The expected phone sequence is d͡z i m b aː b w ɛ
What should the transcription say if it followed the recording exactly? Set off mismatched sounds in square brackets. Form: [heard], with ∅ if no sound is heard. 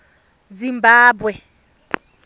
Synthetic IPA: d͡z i m b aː b w ɛ